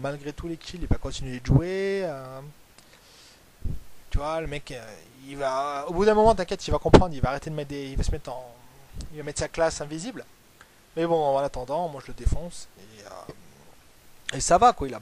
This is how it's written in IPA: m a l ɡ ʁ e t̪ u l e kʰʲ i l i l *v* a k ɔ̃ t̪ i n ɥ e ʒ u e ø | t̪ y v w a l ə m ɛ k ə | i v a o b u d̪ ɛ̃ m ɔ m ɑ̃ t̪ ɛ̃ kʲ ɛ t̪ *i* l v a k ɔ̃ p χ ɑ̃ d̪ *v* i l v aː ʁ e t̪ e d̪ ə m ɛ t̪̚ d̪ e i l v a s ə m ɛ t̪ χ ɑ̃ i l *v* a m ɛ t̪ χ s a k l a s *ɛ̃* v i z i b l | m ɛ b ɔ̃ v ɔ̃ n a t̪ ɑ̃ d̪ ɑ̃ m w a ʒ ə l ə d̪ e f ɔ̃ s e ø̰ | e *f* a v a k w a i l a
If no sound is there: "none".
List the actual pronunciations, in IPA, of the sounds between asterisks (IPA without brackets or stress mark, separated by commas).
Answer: v, i, ʁ, v, ɛ̃, s